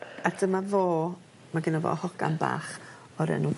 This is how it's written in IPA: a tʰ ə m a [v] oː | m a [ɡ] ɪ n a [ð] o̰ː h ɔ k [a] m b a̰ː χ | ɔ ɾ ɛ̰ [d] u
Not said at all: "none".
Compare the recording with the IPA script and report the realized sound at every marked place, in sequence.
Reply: v, ɡ, v, a, n

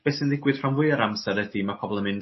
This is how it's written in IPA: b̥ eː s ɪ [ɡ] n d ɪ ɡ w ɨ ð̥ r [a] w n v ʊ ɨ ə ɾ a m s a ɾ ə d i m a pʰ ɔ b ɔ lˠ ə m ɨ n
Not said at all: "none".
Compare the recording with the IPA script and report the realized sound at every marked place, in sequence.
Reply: none, a

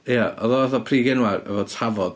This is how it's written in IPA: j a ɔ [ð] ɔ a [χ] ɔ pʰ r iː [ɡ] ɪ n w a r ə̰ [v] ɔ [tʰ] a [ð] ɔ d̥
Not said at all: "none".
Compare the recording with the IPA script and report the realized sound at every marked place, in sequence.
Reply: ð, θ, ɡ, v, tʰ, v

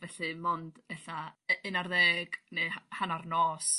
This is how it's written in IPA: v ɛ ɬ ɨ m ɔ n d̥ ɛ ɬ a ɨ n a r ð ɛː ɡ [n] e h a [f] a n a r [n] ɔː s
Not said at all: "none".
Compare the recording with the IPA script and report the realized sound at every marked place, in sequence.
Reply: n, h, n

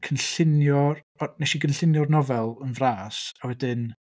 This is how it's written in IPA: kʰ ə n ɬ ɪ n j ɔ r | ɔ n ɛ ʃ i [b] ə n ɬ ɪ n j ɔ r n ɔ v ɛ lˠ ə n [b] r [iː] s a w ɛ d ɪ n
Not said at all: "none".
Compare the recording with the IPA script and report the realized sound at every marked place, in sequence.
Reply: ɡ, v, aː

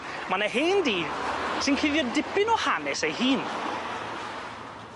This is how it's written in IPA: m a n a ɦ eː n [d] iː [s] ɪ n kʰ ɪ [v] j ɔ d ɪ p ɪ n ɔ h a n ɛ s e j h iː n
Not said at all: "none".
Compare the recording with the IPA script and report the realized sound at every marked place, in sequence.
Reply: d, s, ð

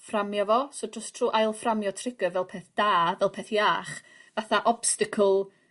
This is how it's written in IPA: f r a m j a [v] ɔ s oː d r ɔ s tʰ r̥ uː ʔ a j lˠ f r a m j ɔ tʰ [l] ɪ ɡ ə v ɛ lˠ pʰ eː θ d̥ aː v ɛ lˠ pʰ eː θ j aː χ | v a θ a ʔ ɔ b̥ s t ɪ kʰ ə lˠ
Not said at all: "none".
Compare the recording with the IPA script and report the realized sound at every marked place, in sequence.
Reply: v, r

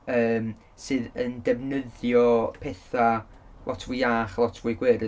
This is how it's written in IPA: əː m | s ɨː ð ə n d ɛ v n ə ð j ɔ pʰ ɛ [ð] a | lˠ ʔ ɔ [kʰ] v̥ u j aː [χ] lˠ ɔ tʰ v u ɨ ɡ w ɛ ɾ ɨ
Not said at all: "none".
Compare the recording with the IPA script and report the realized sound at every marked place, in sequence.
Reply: θ, tʰ, χ

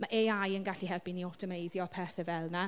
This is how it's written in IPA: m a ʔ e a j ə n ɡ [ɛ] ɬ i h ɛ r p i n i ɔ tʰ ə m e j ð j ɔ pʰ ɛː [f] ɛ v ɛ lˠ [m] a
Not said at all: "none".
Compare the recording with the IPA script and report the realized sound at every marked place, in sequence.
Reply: a, θ, n

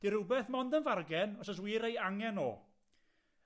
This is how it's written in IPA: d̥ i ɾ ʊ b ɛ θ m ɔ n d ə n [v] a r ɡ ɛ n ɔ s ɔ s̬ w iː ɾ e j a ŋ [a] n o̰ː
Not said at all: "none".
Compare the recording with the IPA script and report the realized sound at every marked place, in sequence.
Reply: v, ɛ

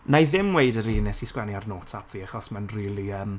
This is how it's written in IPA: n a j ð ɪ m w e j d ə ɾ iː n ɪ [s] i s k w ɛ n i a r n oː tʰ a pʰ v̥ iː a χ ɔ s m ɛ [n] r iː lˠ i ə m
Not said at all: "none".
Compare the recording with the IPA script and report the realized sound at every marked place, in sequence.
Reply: s, n

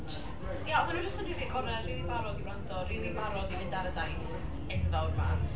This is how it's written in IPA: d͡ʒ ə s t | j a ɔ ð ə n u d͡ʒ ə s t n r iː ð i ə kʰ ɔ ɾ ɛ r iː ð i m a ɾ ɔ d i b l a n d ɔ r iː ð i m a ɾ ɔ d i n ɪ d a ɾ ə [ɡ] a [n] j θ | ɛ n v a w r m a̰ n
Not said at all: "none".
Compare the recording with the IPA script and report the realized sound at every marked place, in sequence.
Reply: d, none

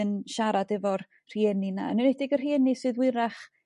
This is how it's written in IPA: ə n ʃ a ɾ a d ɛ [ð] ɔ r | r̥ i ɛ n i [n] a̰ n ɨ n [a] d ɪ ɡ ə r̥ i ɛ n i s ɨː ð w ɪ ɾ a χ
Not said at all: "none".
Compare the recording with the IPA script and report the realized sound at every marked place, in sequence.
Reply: v, n, ɛ

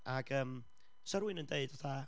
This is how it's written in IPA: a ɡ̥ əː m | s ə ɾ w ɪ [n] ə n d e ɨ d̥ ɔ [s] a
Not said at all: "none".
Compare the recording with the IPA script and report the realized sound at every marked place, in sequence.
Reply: n, θ

